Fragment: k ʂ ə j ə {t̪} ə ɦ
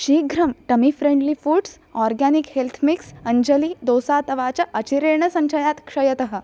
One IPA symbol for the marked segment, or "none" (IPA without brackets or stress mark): t̪